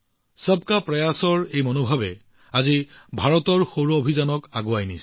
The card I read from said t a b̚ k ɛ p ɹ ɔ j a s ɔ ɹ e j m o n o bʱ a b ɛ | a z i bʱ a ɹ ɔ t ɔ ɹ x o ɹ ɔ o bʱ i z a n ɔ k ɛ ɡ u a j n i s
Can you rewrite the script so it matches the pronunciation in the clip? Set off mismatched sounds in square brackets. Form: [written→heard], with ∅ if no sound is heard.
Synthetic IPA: [t→s] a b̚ k [ɛ→a] p ɹ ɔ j a s ɔ ɹ e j m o n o bʱ a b ɛ | a z i bʱ a ɹ ɔ t ɔ ɹ x o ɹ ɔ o bʱ i z a n ɔ k [ɛ→a] ɡ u a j n i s